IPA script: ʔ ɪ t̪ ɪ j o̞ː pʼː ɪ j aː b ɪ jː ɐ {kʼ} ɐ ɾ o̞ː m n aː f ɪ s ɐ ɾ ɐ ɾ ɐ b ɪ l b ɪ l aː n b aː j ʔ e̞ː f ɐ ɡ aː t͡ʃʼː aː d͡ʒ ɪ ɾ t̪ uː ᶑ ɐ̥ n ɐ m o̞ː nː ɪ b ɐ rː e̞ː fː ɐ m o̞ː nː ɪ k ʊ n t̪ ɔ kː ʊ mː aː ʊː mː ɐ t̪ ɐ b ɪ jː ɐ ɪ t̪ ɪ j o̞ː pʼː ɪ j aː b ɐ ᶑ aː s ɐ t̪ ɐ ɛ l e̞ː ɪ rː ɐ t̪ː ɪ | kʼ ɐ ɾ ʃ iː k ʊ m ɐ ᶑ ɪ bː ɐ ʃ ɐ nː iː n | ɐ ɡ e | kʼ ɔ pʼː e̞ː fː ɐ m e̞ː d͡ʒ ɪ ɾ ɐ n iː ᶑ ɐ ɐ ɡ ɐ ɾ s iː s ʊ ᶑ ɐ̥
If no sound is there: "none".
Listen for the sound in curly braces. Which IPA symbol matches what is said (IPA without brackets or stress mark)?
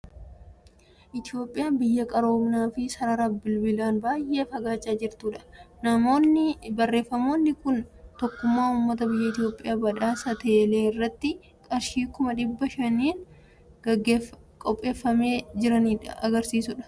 kʼ